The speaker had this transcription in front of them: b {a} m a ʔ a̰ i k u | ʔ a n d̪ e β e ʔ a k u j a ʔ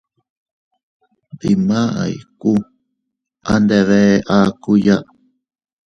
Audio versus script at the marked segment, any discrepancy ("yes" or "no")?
yes